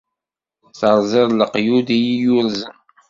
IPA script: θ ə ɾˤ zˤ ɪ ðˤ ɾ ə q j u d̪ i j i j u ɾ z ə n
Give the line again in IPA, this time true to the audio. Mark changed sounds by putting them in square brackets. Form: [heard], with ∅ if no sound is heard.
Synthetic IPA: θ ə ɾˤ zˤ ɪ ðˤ [l] ə q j u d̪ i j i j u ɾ z ə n